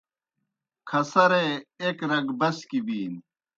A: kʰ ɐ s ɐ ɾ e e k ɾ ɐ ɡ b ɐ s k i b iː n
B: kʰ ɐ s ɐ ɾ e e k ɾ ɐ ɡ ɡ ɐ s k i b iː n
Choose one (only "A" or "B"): A